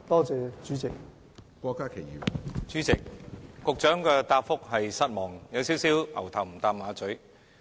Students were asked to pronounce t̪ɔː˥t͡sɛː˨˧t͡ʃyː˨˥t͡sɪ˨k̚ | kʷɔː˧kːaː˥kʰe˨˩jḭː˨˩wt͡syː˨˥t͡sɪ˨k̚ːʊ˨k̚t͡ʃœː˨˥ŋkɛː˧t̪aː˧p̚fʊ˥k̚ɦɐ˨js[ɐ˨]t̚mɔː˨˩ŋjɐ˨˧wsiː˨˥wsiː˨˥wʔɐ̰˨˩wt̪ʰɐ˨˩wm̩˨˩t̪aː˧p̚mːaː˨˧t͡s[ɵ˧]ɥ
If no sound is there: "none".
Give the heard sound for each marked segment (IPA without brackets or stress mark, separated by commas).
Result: ɐ˥, ɵ˨˥